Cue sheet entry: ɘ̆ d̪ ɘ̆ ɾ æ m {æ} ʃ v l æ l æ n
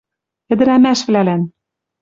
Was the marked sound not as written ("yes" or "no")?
no